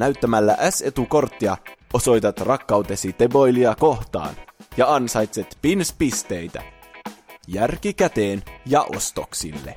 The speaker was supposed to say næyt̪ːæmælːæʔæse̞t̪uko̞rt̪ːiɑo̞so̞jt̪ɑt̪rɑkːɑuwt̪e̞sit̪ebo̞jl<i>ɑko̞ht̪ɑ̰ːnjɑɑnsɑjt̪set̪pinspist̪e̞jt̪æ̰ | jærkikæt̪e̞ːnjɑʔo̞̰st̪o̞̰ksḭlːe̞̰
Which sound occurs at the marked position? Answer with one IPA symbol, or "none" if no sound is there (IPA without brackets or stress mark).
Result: i